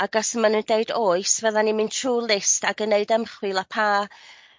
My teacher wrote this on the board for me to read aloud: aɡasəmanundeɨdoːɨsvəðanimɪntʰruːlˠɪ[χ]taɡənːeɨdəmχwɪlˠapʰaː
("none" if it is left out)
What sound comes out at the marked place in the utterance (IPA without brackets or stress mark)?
s